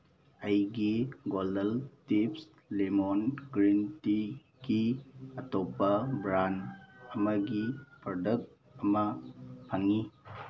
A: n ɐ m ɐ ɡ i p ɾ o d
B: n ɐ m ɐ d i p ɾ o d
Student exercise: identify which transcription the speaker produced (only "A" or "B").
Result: A